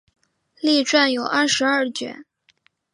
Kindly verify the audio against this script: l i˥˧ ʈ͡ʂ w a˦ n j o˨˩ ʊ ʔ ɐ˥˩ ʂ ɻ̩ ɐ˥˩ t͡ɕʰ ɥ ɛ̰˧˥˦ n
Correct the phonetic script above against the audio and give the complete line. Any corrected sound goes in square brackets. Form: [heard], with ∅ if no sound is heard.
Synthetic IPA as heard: l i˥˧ ʈ͡ʂ w [a˥˩] n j o˨˩ ʊ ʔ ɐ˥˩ ʂ ɻ̩ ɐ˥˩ [t͡ɕ] ɥ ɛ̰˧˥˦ n